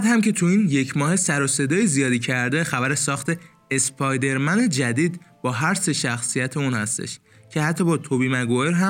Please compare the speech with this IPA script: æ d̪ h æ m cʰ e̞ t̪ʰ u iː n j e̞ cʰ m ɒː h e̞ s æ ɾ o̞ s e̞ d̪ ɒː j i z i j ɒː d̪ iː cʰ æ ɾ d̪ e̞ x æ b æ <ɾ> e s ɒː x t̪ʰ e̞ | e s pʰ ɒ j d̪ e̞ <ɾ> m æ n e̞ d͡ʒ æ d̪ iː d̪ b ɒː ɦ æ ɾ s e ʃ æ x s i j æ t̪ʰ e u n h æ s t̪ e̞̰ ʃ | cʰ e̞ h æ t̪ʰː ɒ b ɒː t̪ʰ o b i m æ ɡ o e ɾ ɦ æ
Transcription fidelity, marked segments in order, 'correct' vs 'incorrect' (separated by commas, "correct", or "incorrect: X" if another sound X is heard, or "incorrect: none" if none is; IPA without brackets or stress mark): correct, correct